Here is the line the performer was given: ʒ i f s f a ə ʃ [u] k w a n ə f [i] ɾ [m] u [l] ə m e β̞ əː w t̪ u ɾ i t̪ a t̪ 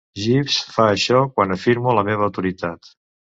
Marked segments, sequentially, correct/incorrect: incorrect: ɔ, correct, correct, correct

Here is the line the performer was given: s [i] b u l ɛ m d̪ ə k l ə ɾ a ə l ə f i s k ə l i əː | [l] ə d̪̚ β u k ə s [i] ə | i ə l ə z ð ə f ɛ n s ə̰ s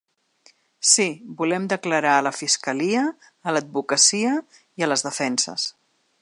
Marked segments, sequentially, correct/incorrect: correct, correct, correct

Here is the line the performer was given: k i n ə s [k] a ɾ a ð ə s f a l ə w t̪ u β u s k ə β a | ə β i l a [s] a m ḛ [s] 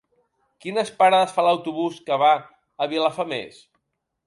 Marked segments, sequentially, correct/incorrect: incorrect: p, incorrect: f, correct

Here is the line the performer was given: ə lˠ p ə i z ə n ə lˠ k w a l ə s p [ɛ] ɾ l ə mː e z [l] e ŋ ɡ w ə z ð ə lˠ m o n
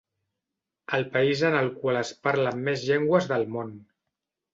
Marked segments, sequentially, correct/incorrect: incorrect: a, incorrect: ʎ

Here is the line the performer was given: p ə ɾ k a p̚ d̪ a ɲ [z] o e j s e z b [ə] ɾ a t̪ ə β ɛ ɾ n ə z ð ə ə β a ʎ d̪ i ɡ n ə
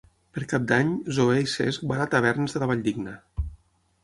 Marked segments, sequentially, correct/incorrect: correct, incorrect: a

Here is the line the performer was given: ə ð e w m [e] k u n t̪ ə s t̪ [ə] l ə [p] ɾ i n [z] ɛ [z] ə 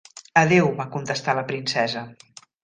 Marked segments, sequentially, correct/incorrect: incorrect: a, incorrect: a, correct, incorrect: s, correct

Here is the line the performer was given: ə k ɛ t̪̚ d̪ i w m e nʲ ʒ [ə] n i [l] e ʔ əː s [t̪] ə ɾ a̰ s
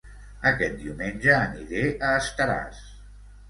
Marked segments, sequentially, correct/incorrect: incorrect: əː, incorrect: ɾ, correct

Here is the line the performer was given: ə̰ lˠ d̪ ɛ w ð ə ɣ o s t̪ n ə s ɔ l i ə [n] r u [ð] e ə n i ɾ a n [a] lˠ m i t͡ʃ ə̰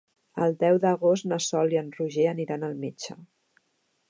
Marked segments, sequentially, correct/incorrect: correct, incorrect: ʒ, incorrect: ə

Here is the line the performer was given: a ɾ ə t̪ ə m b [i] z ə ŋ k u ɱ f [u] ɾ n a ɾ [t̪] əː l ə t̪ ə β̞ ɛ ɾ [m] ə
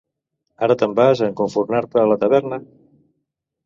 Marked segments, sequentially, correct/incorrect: incorrect: a, correct, correct, incorrect: n

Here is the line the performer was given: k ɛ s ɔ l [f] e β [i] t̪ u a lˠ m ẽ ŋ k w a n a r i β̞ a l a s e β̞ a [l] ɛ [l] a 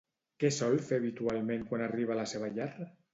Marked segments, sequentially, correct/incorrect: correct, correct, incorrect: ʎ, incorrect: r

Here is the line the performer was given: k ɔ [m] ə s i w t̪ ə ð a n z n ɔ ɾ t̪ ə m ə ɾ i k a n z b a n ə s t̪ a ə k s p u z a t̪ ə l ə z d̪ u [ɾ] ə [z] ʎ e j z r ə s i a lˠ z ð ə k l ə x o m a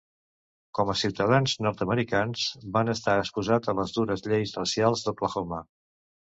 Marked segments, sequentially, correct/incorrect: correct, correct, correct

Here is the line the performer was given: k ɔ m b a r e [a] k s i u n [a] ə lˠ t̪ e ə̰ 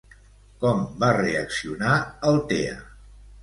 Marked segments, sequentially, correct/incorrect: incorrect: ə, correct

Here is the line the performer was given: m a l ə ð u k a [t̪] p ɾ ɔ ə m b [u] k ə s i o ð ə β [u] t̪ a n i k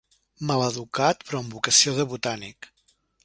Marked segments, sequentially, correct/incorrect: correct, correct, correct

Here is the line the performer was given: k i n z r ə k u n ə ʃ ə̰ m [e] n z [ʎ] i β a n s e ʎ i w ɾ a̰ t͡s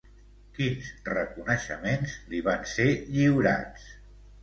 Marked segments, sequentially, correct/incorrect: correct, incorrect: l

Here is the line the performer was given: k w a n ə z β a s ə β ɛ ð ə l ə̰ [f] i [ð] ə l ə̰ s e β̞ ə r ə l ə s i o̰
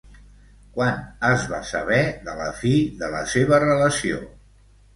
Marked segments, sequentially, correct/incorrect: correct, correct

